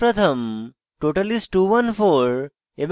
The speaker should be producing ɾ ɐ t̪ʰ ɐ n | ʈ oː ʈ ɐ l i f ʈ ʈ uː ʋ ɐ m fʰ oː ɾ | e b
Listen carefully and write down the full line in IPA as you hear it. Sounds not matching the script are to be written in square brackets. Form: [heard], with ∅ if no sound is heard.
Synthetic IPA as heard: ɾ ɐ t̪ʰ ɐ [m] | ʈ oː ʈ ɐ l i [s] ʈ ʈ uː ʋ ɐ [n] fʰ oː ɾ | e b